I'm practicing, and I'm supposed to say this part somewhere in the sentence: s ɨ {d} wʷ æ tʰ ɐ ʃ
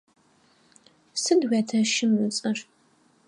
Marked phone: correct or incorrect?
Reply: correct